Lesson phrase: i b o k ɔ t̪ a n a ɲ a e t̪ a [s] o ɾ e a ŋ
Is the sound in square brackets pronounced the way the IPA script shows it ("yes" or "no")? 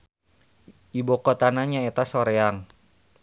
yes